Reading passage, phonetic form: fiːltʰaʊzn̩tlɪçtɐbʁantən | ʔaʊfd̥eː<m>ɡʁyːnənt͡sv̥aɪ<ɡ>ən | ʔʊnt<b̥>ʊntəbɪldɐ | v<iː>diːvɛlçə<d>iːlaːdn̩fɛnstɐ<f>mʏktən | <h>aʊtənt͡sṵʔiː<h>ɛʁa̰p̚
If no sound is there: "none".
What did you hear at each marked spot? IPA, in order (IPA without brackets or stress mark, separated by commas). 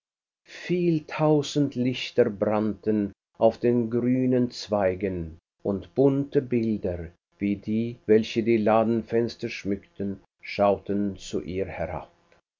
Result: n, ɡ, b̥, iː, d, ʃ, ʃ, h